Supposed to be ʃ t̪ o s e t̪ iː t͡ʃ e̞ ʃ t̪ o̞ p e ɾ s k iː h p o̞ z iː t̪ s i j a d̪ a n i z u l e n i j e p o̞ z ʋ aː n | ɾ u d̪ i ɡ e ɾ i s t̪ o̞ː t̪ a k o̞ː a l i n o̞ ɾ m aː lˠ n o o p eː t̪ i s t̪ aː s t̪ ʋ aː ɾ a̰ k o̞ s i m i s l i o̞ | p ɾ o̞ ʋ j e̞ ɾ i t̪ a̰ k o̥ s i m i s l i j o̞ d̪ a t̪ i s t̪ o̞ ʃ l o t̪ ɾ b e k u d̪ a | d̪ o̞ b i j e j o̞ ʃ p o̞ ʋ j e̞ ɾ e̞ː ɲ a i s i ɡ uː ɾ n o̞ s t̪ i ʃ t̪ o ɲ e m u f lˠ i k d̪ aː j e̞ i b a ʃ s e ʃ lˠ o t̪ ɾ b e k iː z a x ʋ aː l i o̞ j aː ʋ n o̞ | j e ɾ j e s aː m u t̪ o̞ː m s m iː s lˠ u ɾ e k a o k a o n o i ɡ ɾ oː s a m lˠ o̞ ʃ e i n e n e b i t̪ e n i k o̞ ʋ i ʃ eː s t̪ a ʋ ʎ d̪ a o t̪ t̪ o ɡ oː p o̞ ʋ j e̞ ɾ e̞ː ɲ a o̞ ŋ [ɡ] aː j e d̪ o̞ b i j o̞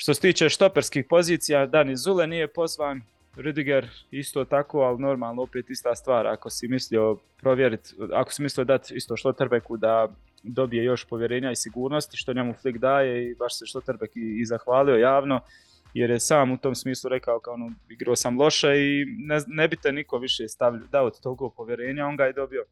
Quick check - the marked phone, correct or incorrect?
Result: correct